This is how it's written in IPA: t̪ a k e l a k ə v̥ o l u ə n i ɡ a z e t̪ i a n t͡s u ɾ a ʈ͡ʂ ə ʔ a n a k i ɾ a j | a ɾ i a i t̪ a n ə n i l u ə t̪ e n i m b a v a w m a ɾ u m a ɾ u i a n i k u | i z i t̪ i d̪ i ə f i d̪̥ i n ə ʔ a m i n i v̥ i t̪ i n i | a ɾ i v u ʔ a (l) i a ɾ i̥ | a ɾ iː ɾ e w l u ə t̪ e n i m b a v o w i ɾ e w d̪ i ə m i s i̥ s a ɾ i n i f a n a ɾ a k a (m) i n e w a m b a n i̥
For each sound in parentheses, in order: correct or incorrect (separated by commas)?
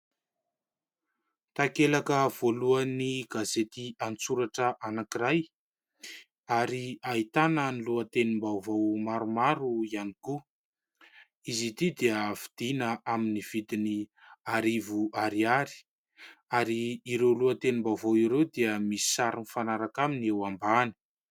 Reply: incorrect, correct